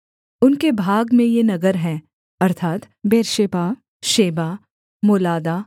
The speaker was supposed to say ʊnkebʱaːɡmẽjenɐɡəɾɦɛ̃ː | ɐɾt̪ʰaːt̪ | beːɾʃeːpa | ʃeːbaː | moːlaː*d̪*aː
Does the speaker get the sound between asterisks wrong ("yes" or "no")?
no